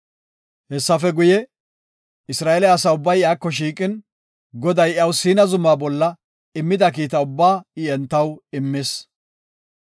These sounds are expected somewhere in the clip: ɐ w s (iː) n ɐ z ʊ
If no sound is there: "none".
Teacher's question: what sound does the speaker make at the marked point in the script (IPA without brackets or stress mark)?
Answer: iː